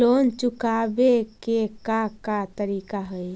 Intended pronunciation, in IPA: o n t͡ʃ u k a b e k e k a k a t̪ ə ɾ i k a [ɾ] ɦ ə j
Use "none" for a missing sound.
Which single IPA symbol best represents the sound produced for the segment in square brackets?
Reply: none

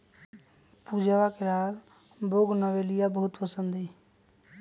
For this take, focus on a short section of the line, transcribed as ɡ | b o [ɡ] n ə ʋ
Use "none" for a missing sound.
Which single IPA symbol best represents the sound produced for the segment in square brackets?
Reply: ɡ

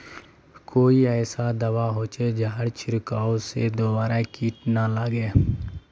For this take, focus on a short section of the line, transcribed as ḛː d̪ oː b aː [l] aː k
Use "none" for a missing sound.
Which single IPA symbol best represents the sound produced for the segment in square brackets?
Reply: ɾ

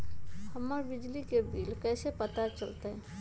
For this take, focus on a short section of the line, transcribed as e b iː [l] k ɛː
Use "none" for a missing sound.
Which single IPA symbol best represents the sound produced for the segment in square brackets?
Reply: l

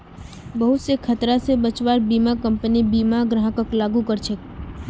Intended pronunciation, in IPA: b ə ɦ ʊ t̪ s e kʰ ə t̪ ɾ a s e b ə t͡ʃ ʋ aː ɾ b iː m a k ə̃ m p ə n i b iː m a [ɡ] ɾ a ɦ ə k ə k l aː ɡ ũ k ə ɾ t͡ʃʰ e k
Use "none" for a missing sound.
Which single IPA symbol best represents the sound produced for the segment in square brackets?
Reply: ɡ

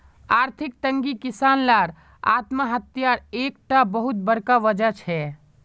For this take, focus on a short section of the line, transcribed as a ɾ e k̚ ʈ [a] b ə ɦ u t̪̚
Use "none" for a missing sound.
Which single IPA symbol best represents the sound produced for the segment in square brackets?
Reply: a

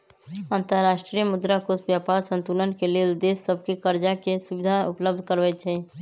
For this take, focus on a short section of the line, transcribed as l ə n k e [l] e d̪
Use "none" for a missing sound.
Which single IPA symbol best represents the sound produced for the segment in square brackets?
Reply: l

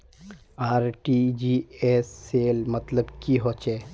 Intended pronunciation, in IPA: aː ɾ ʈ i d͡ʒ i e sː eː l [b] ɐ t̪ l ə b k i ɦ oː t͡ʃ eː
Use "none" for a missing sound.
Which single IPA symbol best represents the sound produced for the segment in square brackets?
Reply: m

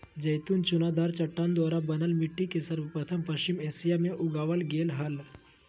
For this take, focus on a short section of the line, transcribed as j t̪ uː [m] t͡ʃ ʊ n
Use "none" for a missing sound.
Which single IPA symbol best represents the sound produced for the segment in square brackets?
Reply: n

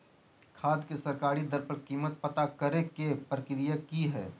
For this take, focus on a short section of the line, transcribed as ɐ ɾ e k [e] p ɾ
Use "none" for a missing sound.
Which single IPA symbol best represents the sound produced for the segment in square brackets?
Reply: e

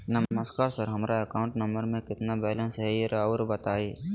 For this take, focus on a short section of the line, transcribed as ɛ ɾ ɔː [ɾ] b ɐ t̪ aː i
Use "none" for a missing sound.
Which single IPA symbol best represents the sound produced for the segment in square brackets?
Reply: ɾ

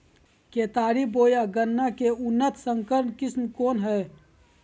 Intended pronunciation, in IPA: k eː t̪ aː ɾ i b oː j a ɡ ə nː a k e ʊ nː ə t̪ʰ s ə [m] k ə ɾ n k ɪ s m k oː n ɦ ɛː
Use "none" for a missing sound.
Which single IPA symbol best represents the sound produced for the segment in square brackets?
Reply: ŋ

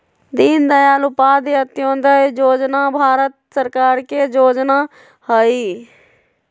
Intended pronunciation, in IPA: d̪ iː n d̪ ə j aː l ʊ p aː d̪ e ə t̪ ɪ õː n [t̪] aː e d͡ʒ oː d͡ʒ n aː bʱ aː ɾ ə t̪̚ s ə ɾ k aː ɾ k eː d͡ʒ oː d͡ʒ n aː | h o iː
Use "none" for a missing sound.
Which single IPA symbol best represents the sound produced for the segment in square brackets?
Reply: d̪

